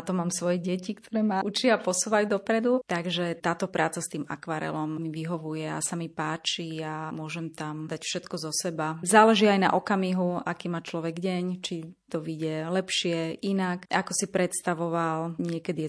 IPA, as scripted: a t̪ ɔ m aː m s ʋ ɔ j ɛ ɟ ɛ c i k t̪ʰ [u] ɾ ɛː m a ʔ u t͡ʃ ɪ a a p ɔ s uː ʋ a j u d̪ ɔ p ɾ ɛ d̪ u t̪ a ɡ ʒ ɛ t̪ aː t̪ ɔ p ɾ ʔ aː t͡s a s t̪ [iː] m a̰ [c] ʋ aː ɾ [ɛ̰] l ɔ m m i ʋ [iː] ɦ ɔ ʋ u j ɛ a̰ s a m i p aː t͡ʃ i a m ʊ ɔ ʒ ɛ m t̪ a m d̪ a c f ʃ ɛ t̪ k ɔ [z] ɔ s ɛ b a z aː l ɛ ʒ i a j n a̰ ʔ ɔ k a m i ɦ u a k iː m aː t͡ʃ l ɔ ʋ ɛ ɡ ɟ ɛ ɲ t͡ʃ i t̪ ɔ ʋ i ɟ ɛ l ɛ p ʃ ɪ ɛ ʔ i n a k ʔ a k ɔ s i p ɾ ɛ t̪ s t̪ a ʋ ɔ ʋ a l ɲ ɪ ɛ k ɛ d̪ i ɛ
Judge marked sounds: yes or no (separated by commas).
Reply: no, yes, no, yes, no, yes